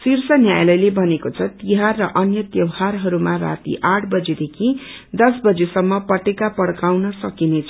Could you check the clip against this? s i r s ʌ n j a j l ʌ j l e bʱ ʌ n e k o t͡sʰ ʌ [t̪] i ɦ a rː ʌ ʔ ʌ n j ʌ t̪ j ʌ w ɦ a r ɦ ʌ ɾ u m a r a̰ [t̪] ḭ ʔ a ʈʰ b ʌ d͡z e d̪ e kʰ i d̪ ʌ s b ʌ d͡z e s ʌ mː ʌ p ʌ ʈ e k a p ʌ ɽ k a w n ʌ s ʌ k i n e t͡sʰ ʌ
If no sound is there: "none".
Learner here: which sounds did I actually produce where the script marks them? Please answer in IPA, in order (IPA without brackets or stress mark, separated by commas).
t̪, t̪